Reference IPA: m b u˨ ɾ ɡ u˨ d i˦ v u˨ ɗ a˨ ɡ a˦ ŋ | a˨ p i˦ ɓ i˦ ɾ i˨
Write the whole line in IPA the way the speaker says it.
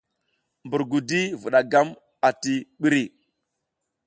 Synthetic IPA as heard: m b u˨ ɾ ɡ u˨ d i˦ v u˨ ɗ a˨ ɡ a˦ m | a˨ t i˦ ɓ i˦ ɾ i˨